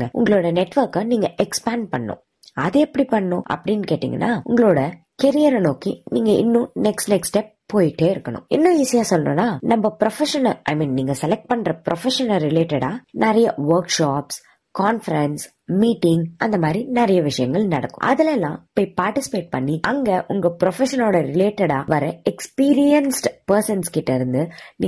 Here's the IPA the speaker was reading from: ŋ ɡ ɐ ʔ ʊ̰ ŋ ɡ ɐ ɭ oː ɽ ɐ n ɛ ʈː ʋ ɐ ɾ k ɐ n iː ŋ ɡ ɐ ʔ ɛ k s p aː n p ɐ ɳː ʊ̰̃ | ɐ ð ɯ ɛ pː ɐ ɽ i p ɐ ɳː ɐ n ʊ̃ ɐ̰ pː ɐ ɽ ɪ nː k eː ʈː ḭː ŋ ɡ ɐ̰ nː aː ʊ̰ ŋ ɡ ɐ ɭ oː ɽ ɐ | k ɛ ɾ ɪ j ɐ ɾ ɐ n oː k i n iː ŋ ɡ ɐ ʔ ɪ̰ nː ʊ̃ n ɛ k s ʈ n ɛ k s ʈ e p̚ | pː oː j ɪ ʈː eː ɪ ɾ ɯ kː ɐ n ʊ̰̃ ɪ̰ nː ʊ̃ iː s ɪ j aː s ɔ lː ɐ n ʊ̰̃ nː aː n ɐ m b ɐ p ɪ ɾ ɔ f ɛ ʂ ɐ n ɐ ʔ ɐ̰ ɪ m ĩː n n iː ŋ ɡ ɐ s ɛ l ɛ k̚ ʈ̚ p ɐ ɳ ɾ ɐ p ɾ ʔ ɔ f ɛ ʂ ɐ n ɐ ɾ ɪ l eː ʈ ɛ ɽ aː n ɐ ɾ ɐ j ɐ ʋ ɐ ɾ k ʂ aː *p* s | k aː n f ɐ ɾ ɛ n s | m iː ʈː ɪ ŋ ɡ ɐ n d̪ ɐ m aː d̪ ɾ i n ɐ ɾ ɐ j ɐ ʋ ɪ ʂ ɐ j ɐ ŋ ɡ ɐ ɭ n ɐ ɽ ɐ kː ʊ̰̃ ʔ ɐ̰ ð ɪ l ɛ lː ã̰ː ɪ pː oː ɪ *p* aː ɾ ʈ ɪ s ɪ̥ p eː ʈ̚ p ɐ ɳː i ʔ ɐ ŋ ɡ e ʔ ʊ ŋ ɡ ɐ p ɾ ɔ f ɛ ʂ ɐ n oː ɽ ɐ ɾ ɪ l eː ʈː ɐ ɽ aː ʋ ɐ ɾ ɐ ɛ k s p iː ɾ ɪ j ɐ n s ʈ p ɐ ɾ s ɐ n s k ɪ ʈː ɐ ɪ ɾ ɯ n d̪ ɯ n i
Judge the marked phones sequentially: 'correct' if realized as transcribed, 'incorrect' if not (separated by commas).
correct, correct